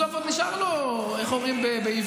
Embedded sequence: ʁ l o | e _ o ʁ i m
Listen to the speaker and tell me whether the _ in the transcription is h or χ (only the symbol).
χ